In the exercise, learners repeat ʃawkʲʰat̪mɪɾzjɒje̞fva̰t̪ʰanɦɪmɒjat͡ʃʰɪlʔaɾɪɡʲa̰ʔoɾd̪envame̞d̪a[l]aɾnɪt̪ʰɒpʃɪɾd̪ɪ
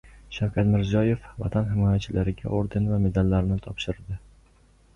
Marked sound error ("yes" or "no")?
yes